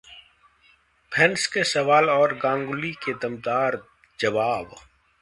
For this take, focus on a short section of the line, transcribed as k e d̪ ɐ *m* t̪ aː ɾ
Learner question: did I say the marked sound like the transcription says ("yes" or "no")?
yes